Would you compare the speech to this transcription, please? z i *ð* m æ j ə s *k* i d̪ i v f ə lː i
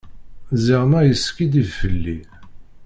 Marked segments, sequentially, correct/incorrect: incorrect, correct

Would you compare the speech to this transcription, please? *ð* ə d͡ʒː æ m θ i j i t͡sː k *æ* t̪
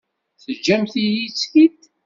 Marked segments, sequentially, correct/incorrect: incorrect, incorrect

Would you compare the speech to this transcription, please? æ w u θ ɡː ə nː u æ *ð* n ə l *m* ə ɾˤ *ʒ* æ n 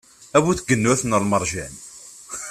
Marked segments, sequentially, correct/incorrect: incorrect, correct, correct

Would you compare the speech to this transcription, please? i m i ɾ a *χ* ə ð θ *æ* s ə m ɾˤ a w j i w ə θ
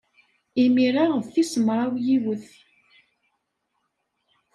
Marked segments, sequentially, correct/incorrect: incorrect, incorrect

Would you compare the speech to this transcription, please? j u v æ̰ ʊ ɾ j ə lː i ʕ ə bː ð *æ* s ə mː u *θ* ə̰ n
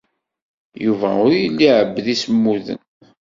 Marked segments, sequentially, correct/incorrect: incorrect, incorrect

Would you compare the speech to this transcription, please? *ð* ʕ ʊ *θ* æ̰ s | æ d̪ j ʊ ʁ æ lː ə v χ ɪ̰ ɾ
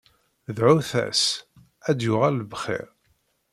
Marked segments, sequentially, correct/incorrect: correct, correct

